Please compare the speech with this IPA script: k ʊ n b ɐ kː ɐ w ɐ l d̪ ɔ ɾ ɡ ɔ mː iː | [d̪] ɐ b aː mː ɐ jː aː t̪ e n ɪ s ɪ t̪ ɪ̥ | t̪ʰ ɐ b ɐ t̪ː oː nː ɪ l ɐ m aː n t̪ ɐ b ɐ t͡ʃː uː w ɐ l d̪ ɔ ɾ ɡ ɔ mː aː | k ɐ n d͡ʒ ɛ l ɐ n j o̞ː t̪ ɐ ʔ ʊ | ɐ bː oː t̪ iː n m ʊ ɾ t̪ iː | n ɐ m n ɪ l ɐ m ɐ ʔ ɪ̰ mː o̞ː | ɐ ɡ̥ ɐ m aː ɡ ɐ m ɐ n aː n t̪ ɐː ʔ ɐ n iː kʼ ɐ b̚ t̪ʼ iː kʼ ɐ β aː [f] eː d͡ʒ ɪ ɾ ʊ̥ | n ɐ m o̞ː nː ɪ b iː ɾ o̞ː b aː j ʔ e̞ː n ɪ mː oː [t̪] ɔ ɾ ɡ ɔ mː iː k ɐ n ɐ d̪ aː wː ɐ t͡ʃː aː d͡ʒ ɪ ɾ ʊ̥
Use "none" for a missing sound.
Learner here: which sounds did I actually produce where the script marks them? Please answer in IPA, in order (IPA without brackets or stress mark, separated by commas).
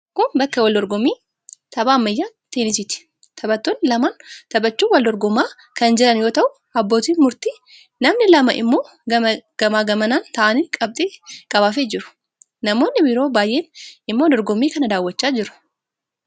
t̪, f, d̪